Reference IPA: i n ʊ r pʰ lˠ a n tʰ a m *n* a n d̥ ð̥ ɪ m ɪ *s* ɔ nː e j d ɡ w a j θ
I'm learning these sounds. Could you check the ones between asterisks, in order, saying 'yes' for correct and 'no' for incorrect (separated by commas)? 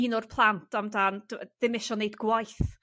no, no